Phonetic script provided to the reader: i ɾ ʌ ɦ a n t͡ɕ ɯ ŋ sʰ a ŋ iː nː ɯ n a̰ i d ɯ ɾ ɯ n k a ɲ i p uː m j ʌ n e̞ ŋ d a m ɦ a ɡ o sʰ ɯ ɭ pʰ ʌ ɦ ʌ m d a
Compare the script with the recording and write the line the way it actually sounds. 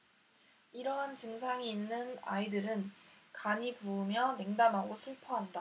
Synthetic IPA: i ɾ ʌ ɦ a n t͡ɕ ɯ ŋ sʰ a ŋ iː nː ɯ n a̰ i d ɯ ɾ ɯ n k a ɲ i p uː m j ʌ n e̞ ŋ d a m ɦ a ɡ o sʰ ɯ ɭ pʰ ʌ ɦ a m d a